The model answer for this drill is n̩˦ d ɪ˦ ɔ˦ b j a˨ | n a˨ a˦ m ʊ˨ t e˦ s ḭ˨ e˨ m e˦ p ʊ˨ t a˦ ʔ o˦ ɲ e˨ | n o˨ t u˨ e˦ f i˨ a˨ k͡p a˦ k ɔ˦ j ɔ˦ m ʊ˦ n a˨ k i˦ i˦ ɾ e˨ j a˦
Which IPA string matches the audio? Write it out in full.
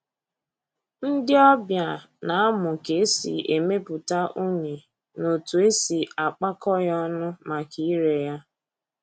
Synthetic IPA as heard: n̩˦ d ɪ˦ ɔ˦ b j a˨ | n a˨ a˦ m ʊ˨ k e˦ s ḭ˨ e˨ m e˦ p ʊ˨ t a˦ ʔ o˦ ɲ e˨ | n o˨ t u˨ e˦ s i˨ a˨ k͡p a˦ k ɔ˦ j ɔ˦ n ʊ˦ m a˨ k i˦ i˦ ɾ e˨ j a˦